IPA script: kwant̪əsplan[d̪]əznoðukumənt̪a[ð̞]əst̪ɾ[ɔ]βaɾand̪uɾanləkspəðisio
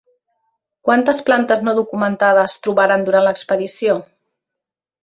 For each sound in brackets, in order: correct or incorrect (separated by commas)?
incorrect, correct, incorrect